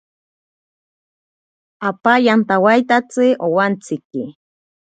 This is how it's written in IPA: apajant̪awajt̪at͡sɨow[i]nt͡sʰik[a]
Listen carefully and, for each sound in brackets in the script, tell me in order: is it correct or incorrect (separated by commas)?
incorrect, incorrect